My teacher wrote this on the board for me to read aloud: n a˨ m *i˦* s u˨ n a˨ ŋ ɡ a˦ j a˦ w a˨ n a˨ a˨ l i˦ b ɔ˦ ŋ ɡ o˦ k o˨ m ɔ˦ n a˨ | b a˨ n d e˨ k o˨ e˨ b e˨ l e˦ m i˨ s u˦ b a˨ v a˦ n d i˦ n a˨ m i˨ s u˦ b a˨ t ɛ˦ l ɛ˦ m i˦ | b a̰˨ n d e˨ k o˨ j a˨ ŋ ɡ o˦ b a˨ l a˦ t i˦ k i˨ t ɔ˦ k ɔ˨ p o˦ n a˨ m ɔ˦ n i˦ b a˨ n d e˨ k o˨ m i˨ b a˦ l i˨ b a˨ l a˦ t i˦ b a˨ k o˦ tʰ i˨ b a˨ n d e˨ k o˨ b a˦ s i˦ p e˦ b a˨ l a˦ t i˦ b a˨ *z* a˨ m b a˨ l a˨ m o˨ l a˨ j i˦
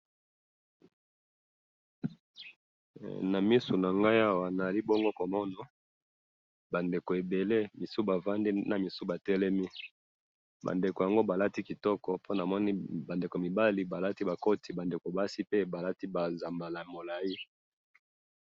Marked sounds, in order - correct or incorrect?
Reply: correct, correct

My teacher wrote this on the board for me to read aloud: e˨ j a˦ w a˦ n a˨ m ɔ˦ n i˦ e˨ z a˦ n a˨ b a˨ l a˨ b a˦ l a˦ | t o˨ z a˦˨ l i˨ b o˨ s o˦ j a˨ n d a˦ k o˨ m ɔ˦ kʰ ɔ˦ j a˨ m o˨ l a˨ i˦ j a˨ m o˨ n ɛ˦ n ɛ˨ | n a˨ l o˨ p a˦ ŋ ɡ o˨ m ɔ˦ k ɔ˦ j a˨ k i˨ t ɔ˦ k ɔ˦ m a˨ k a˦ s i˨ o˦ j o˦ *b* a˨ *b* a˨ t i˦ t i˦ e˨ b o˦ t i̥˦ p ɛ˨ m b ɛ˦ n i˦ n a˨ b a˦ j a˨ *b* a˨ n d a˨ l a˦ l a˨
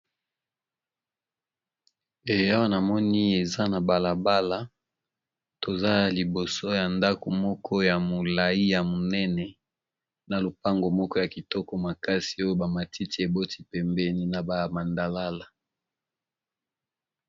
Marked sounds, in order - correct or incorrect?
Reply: correct, incorrect, incorrect

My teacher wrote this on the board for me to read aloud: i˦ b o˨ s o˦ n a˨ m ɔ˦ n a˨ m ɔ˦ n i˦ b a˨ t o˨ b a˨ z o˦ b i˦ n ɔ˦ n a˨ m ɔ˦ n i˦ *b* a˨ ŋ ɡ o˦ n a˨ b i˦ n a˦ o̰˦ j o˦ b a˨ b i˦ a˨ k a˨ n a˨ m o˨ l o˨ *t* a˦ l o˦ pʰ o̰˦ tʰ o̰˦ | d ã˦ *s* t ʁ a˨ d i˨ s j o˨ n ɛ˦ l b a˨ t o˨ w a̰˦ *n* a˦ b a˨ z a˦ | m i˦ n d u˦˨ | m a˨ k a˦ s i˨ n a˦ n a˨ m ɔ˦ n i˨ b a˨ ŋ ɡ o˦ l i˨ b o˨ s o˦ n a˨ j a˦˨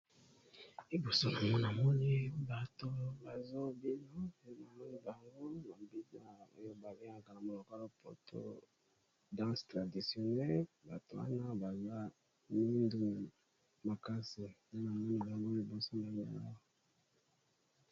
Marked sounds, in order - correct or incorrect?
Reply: correct, incorrect, correct, correct

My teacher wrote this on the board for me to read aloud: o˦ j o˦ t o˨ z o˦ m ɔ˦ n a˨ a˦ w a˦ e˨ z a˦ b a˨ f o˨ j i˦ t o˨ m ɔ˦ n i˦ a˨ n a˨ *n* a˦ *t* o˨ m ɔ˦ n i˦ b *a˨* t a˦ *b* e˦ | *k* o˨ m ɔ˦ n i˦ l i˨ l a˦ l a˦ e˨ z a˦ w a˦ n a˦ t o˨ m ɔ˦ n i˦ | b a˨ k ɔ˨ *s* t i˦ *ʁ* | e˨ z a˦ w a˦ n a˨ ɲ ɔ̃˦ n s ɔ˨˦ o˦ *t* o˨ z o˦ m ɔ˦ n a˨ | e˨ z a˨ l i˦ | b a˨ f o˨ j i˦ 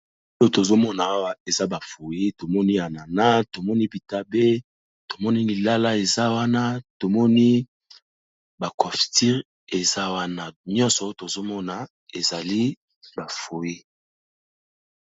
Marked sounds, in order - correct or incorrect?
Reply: correct, correct, incorrect, correct, incorrect, incorrect, correct, correct

